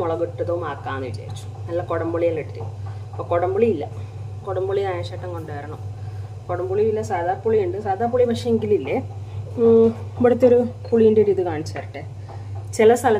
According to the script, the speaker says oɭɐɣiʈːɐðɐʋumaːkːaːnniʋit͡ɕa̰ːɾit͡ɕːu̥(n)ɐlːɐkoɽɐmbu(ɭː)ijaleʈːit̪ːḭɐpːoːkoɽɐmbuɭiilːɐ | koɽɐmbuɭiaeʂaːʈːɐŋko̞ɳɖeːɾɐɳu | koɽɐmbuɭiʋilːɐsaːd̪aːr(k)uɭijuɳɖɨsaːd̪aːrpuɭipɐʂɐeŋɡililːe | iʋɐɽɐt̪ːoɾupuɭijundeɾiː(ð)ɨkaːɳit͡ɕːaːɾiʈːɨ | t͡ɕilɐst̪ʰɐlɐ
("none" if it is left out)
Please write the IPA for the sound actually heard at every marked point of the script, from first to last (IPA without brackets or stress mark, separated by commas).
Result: n, ɭ, p, ð